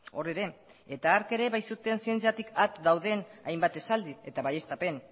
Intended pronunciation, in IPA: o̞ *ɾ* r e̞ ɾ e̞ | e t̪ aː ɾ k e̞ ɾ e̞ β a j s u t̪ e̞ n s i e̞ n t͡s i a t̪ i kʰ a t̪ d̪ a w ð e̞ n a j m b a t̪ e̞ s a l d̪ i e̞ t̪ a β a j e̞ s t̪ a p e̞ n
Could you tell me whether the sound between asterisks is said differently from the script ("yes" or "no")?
yes